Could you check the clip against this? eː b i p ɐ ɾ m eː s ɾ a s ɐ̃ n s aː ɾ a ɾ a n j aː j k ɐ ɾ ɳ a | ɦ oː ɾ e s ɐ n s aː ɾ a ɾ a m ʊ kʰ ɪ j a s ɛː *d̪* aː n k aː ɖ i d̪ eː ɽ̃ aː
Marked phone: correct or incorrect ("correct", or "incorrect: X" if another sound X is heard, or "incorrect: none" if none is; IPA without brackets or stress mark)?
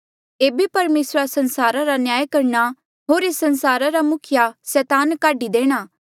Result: incorrect: t̪